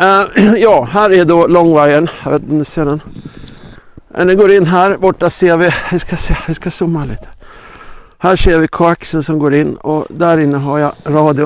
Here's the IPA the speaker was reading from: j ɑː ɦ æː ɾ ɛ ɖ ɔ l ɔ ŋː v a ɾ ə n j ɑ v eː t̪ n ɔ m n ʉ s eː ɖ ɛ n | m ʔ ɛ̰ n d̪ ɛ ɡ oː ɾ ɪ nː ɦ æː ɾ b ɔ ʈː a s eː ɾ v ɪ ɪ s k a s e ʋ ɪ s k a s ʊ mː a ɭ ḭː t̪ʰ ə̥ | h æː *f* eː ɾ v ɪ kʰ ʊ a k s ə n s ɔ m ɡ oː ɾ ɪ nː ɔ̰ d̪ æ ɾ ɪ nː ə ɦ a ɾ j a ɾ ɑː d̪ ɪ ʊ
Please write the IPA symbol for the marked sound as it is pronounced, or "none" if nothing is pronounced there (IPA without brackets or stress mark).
ʂ